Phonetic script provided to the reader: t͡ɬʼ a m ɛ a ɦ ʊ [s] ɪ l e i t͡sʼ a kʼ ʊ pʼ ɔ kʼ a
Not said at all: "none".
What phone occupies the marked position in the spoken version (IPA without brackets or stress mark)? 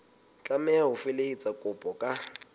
f